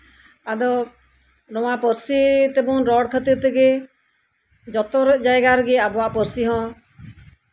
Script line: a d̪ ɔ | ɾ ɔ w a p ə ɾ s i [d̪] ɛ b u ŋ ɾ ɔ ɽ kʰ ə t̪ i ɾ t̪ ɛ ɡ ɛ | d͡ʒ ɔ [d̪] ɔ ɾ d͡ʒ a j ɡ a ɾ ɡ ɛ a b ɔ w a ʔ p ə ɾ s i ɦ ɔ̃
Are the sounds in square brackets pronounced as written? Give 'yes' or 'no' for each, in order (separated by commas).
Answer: no, no